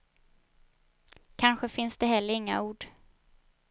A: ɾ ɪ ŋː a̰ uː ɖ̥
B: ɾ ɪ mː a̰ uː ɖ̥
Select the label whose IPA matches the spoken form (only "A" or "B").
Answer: A